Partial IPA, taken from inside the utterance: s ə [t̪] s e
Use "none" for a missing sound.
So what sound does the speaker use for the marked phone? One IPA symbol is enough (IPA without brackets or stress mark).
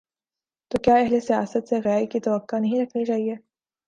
t̪